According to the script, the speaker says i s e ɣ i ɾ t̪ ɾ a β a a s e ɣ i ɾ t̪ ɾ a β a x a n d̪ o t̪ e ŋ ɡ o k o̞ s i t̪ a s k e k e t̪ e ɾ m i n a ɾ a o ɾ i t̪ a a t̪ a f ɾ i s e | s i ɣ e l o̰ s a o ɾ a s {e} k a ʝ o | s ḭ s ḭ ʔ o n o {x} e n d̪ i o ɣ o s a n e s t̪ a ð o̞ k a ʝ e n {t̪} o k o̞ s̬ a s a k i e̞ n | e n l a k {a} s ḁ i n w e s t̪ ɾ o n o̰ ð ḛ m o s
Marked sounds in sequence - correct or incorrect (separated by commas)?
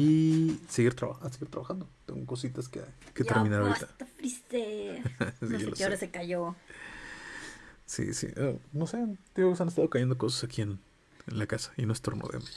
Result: correct, incorrect, incorrect, correct